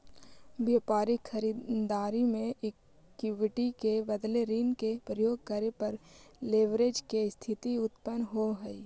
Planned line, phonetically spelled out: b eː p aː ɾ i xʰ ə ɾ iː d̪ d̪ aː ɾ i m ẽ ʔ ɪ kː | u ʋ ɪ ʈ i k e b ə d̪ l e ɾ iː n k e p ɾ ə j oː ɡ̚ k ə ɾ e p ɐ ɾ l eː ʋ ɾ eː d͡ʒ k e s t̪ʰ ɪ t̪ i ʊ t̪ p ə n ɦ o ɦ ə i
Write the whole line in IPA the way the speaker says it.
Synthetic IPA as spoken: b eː p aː ɾ i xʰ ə ɾ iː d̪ d̪ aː ɾ i m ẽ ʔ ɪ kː | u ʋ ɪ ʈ i k e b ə d̪ l e ɾ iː n k e p ɾ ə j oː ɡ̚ k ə ɾ e p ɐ ɾ l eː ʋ ɾ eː d͡ʒ k e s t̪ʰ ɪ t̪ i ʊ t̪ p ə n ɦ o ɦ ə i